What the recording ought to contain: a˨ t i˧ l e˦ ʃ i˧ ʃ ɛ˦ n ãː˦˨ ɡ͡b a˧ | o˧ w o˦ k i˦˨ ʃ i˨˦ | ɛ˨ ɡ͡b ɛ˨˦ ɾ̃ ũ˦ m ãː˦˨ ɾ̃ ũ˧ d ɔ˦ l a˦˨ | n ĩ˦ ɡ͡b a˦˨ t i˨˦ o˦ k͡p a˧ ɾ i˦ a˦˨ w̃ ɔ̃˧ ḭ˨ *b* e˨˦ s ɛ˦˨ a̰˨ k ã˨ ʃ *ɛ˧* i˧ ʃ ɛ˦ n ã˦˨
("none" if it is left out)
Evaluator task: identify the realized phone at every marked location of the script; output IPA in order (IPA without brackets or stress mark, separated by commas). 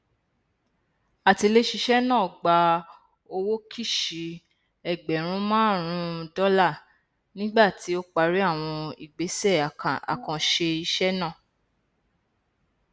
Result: ɡ͡b, e˧